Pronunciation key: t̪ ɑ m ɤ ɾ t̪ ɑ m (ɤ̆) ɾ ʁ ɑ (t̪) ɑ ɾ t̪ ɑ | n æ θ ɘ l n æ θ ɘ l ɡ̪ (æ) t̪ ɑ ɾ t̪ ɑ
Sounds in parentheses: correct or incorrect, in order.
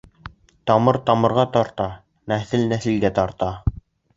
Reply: correct, correct, correct

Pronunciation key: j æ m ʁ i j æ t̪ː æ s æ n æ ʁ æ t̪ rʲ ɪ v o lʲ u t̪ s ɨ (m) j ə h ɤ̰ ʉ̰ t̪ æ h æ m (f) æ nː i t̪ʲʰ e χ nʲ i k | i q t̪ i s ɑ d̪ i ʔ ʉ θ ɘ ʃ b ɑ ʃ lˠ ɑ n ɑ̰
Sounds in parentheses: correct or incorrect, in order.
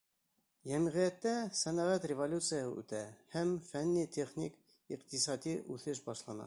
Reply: incorrect: none, correct

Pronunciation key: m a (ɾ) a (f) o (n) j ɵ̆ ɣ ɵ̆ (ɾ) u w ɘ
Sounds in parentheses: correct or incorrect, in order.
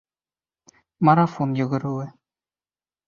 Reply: correct, correct, correct, correct

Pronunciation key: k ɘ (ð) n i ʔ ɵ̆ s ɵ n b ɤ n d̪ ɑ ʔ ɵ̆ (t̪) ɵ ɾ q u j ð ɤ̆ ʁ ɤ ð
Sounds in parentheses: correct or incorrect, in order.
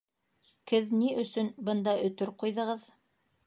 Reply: correct, correct

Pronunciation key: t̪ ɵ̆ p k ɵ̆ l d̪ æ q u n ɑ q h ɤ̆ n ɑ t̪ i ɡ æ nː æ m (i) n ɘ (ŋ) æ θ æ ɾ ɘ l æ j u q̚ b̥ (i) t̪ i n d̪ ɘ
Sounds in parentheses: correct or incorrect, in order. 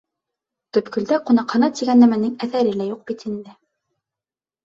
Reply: incorrect: æ, correct, correct

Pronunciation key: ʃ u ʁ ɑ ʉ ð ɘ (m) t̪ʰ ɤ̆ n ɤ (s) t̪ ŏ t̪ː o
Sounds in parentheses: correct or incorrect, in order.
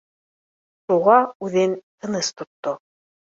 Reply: incorrect: n, correct

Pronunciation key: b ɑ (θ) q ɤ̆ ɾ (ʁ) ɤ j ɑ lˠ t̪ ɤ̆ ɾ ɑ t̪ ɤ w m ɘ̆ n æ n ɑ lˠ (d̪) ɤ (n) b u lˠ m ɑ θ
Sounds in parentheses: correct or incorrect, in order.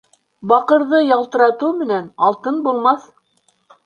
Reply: incorrect: none, incorrect: ð, incorrect: t̪, correct

